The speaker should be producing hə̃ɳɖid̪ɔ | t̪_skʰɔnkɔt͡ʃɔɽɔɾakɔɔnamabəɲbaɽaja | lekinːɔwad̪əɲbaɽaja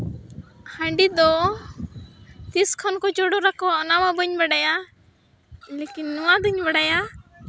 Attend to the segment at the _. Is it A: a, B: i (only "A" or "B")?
B